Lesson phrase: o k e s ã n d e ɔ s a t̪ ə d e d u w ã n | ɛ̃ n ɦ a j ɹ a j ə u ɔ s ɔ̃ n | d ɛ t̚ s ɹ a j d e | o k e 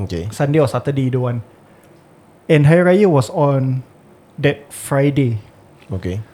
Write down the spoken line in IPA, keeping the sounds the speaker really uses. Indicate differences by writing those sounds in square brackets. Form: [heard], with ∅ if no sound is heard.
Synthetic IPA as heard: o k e s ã n d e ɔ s a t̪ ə d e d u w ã n | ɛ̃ n ɦ a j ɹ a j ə [w] ɔ s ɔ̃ n | d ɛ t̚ [f] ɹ a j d e | o k e